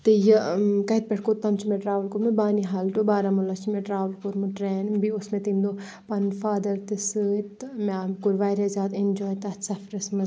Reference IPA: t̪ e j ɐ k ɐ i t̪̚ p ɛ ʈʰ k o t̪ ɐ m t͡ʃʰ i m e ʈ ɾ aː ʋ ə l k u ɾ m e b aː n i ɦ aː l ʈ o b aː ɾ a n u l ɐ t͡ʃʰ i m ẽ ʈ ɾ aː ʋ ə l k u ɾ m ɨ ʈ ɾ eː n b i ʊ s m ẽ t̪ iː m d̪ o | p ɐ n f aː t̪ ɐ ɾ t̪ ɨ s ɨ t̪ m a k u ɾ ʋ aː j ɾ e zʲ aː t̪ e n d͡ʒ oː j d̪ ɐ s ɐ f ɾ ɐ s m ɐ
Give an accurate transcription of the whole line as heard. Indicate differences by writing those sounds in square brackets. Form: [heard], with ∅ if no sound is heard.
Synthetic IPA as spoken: t̪ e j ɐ k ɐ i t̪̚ p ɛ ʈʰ k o t̪ ɐ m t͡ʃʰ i m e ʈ ɾ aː ʋ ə l k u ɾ m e b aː n i ɦ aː l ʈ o b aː ɾ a [m] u l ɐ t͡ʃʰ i m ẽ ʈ ɾ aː ʋ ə l k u ɾ m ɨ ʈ ɾ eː n b i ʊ s m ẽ t̪ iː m d̪ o | p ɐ n f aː [d̪] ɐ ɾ t̪ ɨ s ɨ t̪ m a k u ɾ ʋ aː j ɾ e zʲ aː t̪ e n d͡ʒ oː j [t̪] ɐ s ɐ f ɾ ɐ s m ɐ